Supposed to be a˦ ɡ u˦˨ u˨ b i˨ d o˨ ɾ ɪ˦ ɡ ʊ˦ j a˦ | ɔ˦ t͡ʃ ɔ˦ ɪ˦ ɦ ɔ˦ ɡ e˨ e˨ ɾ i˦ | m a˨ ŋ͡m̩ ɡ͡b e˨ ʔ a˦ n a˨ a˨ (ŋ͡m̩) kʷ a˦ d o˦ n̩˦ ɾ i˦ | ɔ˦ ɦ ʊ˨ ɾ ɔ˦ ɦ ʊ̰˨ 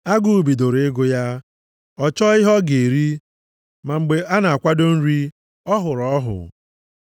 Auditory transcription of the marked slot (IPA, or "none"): none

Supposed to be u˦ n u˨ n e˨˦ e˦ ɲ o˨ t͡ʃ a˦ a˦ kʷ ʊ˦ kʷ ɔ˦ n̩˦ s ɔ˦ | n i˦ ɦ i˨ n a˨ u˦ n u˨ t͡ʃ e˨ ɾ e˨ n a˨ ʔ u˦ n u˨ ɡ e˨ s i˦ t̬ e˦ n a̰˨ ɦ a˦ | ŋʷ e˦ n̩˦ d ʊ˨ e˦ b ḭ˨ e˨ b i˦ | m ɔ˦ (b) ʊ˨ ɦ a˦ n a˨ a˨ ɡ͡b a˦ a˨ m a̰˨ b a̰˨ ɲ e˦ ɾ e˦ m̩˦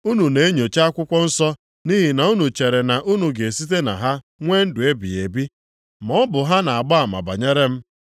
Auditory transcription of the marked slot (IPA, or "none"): b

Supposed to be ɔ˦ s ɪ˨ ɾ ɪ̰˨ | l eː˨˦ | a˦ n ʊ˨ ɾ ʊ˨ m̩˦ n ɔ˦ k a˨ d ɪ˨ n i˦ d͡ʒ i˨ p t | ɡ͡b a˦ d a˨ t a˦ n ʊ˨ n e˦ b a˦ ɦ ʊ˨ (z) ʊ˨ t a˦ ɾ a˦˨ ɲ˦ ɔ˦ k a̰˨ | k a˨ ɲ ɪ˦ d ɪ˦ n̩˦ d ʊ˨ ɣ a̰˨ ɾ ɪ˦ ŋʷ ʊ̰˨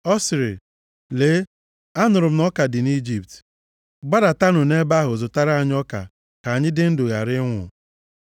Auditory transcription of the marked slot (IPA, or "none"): z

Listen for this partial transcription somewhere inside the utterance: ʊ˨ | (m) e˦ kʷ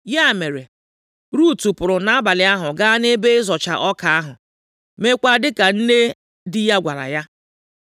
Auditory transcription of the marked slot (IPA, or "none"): m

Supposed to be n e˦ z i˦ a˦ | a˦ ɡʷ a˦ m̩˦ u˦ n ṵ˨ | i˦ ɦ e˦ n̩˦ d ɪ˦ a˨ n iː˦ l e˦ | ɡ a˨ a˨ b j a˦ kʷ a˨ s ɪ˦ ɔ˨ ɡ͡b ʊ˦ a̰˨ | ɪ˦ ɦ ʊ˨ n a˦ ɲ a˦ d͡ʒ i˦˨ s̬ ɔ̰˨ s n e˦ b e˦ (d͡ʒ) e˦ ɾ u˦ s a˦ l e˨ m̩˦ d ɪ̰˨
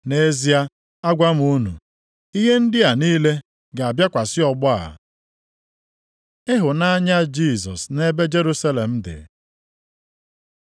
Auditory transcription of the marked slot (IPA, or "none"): d͡ʒ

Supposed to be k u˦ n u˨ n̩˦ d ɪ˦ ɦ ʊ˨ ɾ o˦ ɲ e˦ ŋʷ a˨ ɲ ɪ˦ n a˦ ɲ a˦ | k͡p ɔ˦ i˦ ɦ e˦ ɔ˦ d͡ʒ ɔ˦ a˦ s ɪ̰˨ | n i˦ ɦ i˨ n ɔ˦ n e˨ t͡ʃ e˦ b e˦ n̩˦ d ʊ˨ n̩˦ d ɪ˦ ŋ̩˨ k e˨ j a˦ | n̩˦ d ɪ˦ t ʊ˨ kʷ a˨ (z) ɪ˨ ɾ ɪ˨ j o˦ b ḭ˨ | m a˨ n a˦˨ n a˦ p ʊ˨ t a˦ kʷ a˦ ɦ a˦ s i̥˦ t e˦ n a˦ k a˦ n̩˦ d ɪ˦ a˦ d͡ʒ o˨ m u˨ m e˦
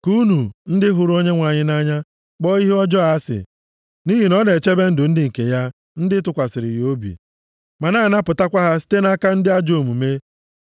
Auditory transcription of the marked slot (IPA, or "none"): s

